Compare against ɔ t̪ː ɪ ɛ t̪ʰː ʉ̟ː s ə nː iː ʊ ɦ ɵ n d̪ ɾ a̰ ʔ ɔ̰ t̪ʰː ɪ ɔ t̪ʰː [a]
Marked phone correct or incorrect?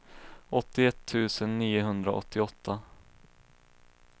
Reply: correct